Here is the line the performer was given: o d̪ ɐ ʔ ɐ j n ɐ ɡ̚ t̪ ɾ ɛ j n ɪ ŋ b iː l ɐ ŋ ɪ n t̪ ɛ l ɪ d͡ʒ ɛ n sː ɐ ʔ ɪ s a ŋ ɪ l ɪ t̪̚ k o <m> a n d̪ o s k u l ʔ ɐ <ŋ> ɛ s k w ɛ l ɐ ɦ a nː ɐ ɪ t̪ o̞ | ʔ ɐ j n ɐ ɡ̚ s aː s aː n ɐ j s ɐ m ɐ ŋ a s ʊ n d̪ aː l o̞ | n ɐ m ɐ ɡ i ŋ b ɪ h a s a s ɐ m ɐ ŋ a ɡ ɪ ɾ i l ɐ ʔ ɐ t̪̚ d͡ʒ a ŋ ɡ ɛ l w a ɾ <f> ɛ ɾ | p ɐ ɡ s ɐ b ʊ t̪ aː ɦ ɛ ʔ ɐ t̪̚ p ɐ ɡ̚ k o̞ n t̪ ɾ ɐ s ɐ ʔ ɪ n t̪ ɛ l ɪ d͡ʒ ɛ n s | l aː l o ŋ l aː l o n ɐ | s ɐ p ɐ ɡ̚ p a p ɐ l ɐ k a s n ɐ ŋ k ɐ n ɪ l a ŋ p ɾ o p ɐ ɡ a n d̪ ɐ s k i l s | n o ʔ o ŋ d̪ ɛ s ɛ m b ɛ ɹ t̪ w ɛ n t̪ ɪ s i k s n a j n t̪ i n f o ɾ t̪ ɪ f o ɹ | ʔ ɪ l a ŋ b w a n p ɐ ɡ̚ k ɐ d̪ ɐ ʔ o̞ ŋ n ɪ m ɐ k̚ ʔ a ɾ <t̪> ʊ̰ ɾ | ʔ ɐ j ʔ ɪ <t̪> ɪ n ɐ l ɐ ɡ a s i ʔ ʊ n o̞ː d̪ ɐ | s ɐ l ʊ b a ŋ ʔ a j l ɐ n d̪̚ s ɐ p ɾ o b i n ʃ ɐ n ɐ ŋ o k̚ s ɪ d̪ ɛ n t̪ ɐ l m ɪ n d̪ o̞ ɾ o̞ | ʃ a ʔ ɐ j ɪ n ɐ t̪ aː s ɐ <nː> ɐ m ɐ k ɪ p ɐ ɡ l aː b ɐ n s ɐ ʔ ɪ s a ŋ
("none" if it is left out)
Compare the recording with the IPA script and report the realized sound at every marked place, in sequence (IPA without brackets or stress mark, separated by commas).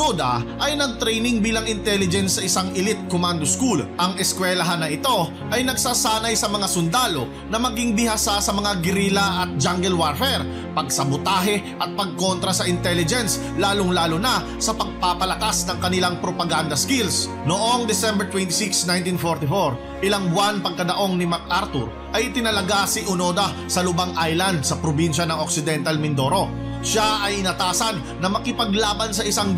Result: m, ŋ, f, t̪, t̪, nː